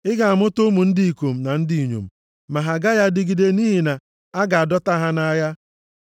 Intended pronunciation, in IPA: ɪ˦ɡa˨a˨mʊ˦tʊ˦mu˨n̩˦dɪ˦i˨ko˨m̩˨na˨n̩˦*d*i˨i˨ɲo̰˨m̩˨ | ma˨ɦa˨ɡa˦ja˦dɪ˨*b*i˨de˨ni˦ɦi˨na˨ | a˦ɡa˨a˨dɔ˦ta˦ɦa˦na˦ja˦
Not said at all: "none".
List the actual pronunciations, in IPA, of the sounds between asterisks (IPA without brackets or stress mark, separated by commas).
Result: d, ɡ